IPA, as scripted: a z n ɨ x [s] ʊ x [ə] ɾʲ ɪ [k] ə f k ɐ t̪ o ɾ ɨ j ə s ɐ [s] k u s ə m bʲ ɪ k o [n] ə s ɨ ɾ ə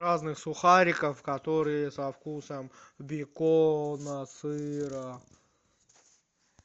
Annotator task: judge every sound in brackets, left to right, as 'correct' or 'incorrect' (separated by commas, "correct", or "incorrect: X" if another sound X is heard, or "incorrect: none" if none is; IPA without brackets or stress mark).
correct, incorrect: a, correct, incorrect: f, correct